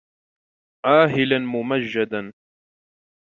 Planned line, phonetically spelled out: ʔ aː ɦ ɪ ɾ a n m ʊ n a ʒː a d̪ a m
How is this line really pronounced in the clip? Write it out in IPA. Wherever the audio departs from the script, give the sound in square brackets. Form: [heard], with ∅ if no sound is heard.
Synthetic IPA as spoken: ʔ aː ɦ ɪ [l] a n m ʊ [m] a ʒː a d̪ a [n]

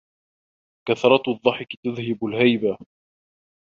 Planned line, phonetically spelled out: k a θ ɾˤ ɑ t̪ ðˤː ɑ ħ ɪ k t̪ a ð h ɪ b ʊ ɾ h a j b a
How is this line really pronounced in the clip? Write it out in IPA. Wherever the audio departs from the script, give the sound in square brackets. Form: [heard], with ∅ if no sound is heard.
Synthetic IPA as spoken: k a θ ɾˤ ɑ t̪ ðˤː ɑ ħ ɪ k t̪ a ð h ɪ b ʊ [l] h a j b a

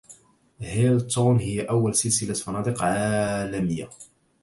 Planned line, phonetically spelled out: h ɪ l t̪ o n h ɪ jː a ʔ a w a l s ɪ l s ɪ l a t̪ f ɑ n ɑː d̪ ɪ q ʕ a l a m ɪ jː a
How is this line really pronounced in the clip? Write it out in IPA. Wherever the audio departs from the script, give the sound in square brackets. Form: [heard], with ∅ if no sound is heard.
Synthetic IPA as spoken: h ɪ l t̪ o n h ɪ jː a ʔ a [wː] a l s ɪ l s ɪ l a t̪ f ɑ n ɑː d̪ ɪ q ʕ a l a m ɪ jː a

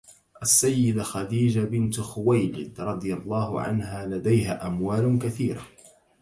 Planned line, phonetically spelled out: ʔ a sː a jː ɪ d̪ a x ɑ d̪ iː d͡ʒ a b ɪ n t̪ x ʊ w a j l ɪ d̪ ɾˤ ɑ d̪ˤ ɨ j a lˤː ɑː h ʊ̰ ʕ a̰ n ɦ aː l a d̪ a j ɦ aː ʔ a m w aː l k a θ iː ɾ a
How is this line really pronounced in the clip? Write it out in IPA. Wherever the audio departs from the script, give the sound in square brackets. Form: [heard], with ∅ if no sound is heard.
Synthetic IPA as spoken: ʔ a sː a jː ɪ d̪ a x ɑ d̪ iː d͡ʒ a b ɪ n t̪ x ʊ w a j l ɪ d̪ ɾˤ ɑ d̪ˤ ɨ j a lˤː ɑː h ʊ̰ ʕ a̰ n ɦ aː l a d̪ a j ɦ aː ʔ a m w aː l k a θ iː ɾ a

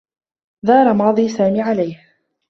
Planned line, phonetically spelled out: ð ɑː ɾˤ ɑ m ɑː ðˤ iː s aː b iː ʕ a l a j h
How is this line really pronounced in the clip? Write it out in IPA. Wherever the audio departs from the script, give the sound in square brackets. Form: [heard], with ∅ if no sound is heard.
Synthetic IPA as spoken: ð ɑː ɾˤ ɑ m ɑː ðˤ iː s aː [m] iː ʕ a l a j h

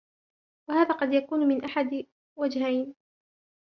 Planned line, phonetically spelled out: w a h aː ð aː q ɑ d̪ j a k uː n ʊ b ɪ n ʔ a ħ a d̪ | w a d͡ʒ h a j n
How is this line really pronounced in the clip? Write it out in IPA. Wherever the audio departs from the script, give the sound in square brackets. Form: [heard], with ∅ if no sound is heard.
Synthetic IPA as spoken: w a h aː ð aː q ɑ d̪ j a k uː n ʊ [m] ɪ n ʔ a ħ a d̪ | w a d͡ʒ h a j n

